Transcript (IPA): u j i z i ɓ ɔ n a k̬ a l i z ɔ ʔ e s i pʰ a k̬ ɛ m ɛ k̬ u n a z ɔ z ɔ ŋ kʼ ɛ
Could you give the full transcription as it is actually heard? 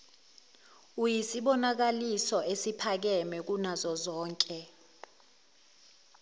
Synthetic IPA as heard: u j i s i ɓ ɔ n a k̬ a l i s ɔ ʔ e s i pʰ a k̬ ɛ m ɛ k̬ u n a z ɔ z ɔː ŋ kʼ ɛ